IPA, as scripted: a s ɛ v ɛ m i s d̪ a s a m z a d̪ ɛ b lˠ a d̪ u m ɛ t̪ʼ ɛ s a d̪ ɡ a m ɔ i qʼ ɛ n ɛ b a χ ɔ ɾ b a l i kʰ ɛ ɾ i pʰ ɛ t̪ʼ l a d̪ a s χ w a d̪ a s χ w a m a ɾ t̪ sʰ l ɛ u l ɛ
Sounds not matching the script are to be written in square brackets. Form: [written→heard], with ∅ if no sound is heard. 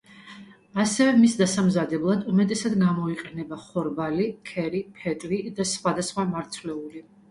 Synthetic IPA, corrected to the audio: a s ɛ v ɛ m i s d̪ a s a m z a d̪ ɛ b lˠ a d̪ u m ɛ t̪ʼ ɛ s a d̪ ɡ a m ɔ i qʼ ɛ n ɛ b a χ ɔ ɾ b a l i kʰ ɛ ɾ i pʰ ɛ t̪ʼ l [a→i] d̪ a s χ w a d̪ a s χ w a m a ɾ t̪ sʰ l ɛ u l [ɛ→i]